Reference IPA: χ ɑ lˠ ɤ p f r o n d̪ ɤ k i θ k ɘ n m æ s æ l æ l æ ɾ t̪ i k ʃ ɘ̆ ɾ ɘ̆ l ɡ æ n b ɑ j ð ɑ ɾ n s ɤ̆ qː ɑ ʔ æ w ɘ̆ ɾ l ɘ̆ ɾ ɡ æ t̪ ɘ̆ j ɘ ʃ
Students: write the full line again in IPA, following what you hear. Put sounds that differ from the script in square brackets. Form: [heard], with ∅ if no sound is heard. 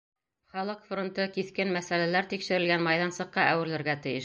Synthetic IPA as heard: χ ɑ lˠ ɤ [q] f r o n [t̪] ɤ k i θ k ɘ n m æ s æ l æ l æ ɾ t̪ i k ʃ ɘ̆ ɾ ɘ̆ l ɡ æ n [m] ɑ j ð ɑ [∅] n s ɤ̆ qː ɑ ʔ æ w ɘ̆ ɾ l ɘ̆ ɾ ɡ æ t̪ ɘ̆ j ɘ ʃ